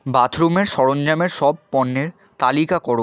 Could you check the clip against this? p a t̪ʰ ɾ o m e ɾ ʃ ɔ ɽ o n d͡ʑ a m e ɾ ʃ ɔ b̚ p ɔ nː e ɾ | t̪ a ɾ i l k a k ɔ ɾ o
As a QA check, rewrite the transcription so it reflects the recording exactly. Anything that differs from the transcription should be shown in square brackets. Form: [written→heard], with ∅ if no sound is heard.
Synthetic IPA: [p→b] a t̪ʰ ɾ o m e ɾ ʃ ɔ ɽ o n d͡ʑ a m e ɾ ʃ ɔ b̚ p ɔ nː e ɾ | t̪ a [ɾ→l] i [l→∅] k a k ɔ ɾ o